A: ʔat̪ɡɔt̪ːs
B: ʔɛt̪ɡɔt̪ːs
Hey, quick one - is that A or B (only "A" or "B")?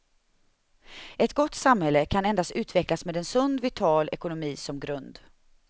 B